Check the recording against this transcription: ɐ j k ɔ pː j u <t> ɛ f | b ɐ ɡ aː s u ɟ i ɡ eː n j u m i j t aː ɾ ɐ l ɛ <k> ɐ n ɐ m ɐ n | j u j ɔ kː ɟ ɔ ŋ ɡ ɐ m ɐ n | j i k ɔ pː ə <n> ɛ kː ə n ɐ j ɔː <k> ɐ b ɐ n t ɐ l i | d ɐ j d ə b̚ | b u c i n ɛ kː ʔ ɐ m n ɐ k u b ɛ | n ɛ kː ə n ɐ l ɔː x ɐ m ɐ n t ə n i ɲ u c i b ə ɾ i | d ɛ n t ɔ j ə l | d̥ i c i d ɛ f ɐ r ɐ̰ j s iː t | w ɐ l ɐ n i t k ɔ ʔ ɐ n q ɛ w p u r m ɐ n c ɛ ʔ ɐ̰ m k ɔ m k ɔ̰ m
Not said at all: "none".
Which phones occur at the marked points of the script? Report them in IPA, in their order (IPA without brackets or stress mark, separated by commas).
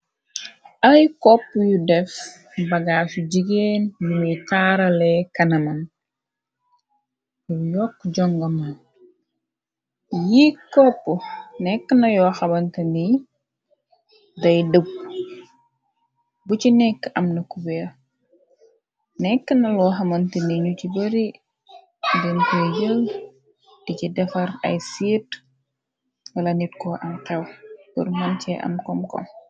d, k, n, x